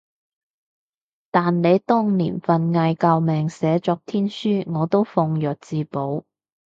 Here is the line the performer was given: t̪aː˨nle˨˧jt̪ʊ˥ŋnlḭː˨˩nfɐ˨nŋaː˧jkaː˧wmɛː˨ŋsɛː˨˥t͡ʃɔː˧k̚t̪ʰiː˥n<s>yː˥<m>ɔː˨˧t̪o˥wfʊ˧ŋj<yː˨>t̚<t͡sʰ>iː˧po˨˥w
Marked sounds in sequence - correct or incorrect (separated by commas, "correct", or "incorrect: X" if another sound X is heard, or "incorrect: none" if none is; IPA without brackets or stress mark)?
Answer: correct, incorrect: ŋ, incorrect: œː˨, incorrect: t͡s